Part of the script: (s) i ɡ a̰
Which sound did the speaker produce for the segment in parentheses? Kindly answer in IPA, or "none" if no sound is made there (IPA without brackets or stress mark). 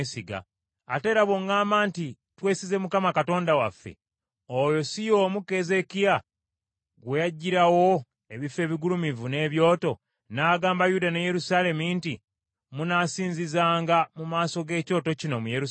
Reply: s